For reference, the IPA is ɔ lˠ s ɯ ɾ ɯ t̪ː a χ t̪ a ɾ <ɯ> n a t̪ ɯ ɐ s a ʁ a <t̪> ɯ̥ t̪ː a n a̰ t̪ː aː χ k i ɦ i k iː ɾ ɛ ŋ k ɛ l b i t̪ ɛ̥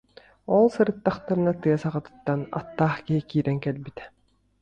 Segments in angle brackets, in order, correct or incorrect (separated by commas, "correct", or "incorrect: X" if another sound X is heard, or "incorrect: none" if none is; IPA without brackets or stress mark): correct, correct